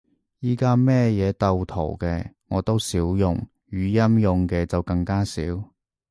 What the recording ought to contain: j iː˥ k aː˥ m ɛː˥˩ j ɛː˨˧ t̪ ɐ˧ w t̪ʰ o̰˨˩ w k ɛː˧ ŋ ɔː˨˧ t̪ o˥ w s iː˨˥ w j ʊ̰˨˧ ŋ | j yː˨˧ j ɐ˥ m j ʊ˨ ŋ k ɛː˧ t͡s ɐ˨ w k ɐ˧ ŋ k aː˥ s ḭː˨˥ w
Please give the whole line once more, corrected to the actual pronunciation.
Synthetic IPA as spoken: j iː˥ k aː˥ m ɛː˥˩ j ɛː˨˧ t̪ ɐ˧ w t̪ʰ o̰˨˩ w k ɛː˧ ŋ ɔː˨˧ t̪ o˥ w s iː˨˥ w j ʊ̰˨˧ ŋ | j yː˨˧ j ɐ˥ m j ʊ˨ ŋ k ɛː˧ t͡s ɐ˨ w k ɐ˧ ŋ k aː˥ s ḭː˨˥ w